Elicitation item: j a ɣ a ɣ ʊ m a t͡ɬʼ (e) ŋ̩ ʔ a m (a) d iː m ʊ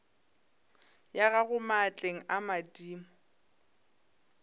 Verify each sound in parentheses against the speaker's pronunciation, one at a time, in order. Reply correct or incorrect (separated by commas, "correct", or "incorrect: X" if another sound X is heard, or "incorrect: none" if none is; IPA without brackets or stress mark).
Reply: correct, correct